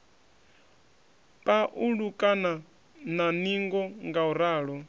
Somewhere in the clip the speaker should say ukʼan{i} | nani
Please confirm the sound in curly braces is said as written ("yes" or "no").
no